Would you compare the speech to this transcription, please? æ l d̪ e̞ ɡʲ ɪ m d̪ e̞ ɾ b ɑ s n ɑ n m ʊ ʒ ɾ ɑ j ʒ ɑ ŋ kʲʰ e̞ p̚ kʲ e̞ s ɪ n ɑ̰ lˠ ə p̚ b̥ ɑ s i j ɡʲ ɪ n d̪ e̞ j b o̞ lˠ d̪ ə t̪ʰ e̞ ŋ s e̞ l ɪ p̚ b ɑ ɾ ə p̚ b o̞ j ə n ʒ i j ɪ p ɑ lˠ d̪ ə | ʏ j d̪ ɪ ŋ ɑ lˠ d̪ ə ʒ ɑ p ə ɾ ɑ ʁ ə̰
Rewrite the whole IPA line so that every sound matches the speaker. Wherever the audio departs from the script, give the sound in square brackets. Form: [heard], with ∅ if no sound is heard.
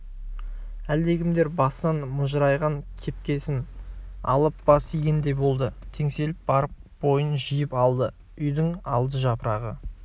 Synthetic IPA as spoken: æ l d̪ e̞ ɡʲ ɪ m d̪ e̞ ɾ b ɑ s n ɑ n m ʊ ʒ ɾ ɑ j [ʁ] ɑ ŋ kʲʰ e̞ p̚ kʲ e̞ s ɪ n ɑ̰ lˠ ə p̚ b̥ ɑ s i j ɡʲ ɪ n d̪ e̞ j b o̞ lˠ d̪ ə t̪ʰ e̞ ŋ s e̞ l ɪ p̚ b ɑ ɾ ə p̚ b o̞ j ə n ʒ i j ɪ p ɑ lˠ d̪ ə | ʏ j d̪ ɪ ŋ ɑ lˠ d̪ ə ʒ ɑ p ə ɾ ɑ ʁ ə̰